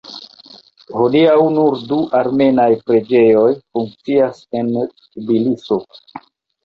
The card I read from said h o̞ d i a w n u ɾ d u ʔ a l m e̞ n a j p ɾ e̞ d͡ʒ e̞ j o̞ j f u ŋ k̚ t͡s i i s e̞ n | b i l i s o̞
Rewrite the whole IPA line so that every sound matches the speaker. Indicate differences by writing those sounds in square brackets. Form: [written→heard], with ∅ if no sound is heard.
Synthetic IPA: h o̞ d i a w n u ɾ d u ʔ a [l→ɾ] m e̞ n a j p ɾ e̞ d͡ʒ e̞ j o̞ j f u ŋ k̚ t͡s i [i→a] s e̞ n | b i l i s o̞

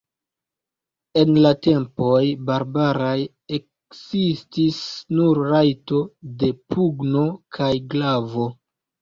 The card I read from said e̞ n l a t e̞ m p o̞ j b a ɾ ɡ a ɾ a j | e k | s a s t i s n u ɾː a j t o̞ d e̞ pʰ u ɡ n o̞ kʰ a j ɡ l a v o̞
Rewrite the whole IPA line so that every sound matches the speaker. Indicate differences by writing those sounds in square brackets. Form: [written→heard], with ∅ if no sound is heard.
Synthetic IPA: e̞ n l a t e̞ m p o̞ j b a ɾ [ɡ→b] a ɾ a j | e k | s [a→i] s t i s n u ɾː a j t o̞ d e̞ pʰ u ɡ n o̞ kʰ a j ɡ l a v o̞

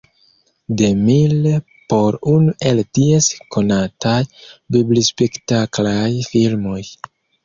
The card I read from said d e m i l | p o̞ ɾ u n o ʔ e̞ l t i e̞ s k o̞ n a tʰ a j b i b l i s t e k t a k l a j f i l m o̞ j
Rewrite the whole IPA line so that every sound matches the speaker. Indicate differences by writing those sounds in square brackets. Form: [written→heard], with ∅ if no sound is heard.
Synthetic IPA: d e m i l | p o̞ ɾ u n [o→u] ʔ e̞ l t i e̞ s k o̞ n a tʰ a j b i b l i s [t→p] e k t a k l a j f i l m o̞ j

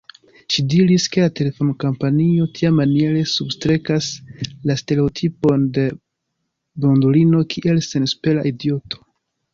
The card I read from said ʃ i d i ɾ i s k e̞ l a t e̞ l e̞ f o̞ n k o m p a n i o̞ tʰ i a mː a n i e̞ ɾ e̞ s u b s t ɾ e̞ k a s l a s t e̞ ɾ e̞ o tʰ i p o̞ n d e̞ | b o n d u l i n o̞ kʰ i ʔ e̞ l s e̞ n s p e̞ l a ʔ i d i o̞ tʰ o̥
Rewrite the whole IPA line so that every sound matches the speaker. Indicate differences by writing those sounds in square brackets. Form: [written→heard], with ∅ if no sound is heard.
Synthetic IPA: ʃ i d i ɾ i s k e̞ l a t e̞ l e̞ f o̞ n k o m p a n i o̞ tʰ i a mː a n i e̞ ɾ e̞ s u b s t ɾ e̞ k a s l a s t e̞ ɾ e̞ o tʰ i p o̞ n d e̞ | b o n d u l i n o̞ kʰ i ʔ e̞ l s e̞ n s p e̞ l a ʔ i d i o̞ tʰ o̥

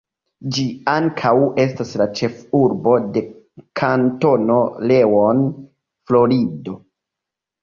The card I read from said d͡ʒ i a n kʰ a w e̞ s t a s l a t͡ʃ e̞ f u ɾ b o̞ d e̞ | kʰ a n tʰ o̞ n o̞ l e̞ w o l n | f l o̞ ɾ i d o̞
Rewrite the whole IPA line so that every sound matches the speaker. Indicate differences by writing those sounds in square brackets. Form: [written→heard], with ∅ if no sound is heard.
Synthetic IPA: d͡ʒ i a [n→ŋ] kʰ a w e̞ s t a s l a t͡ʃ e̞ f u ɾ b o̞ d e̞ | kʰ a n [tʰ→t] o̞ n o̞ l e̞ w o [l→∅] n | f l o̞ ɾ i d o̞

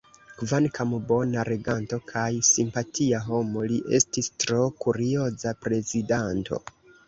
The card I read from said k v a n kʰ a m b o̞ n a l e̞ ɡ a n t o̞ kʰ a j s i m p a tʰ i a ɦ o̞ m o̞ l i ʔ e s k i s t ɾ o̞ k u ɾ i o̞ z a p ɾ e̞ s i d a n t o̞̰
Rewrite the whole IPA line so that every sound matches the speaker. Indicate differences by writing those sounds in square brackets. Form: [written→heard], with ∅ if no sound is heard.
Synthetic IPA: k v a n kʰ a m b o̞ n a [l→ɾ] e̞ ɡ a n t o̞ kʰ a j s i m p a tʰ i a ɦ o̞ m o̞ l i ʔ e s [k→t] i s t ɾ o̞ k u ɾ i o̞ z a p ɾ e̞ [s→z] i d a n t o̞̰

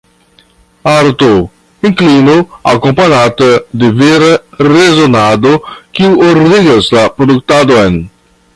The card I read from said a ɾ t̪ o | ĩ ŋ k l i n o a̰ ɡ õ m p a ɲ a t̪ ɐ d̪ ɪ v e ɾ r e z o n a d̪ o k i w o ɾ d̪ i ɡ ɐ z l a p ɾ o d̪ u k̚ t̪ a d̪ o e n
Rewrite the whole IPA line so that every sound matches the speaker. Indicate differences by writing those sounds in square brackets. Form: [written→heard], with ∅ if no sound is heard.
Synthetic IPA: a ɾ t̪ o | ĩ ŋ k l i n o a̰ [ɡ→k] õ m p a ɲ a t̪ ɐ d̪ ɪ v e ɾ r e z o n a d̪ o k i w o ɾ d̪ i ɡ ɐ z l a p ɾ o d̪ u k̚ t̪ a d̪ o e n

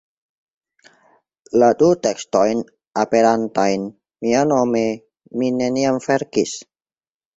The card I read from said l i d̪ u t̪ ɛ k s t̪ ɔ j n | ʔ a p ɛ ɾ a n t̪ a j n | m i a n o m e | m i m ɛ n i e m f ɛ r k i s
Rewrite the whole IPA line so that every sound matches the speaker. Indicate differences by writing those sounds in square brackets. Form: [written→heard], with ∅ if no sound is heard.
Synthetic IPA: l [i→a] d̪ u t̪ ɛ k s t̪ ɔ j n | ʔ a p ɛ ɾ a n t̪ a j n | m i a n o m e | m i [m→n] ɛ n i [e→a] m f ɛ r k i s

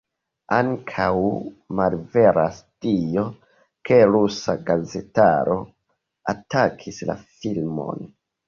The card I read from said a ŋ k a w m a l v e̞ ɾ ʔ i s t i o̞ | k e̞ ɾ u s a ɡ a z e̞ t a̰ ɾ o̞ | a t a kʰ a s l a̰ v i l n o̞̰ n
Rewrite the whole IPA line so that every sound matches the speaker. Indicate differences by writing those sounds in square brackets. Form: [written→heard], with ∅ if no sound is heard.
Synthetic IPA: a ŋ [k→kʰ] a w m a l v e̞ ɾ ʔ [i→a] s t i o̞ | k e̞ ɾ u s a ɡ a z e̞ t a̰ ɾ o̞ | a t a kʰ [a→i] s l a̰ [v→f] i l [n→m] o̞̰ n

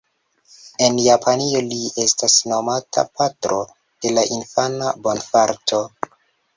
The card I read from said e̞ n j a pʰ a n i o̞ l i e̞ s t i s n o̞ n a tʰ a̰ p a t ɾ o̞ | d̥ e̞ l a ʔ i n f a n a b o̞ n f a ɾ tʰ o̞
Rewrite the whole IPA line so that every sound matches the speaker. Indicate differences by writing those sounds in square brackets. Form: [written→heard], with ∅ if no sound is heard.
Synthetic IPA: e̞ n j a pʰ a n i o̞ l i e̞ s t [i→a] s n o̞ [n→m] a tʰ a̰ p a t ɾ o̞ | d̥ e̞ l a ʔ i n f a n a b o̞ n f a ɾ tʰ o̞

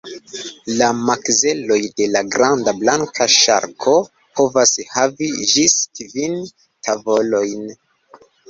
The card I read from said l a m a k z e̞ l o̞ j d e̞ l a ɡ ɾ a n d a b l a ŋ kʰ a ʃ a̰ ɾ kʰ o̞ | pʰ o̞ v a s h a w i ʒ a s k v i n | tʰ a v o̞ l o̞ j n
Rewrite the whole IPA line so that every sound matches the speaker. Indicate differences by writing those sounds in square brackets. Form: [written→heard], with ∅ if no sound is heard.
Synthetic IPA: l a m a k z e̞ l o̞ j d e̞ l a ɡ ɾ a n d a b l a ŋ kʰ a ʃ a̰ ɾ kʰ o̞ | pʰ o̞ v a s h a [w→v] i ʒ [a→i] s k v i n | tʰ a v o̞ l o̞ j n

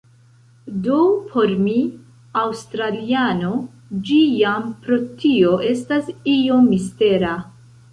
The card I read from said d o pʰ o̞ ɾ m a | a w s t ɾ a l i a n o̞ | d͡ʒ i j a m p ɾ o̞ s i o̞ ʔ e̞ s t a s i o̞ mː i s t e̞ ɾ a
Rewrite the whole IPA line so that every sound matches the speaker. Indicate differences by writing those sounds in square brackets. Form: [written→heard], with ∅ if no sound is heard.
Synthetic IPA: d o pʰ o̞ ɾ m [a→i] | a w s t ɾ a l i a n o̞ | d͡ʒ i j a m p ɾ o̞ [s→t] i o̞ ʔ e̞ s t a s i o̞ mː i s t e̞ ɾ a

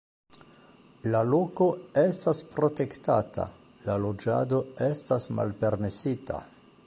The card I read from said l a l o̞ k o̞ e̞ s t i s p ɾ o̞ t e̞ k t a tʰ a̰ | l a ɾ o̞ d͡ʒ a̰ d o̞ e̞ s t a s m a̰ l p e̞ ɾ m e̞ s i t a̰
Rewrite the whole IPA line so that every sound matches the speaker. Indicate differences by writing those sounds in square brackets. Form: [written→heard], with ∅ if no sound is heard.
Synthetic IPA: l a l o̞ k o̞ e̞ s t [i→a] s p ɾ o̞ t e̞ k t a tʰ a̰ | l a [ɾ→l] o̞ d͡ʒ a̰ d o̞ e̞ s t a s m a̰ l p e̞ ɾ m e̞ s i t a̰

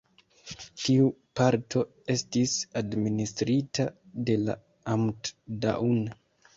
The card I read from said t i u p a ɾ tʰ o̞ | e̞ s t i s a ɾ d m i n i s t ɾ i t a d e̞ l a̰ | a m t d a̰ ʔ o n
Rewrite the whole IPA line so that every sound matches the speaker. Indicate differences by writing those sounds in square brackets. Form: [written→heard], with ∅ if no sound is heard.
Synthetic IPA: t i u p a ɾ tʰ o̞ | e̞ s t i s a [ɾ→∅] d m i n i s t ɾ i t a d e̞ l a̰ | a m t d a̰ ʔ [o→u] n

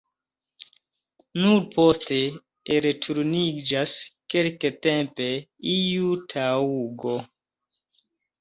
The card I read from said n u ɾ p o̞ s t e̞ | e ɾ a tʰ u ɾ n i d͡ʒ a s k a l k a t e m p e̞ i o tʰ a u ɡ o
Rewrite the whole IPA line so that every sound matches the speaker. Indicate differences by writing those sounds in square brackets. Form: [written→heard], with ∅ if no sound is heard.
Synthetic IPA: n u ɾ p o̞ s t e̞ | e ɾ [a→e] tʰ u ɾ n i d͡ʒ a s k [a→e] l k [a→e] t e m p e̞ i [o→u] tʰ a u ɡ o

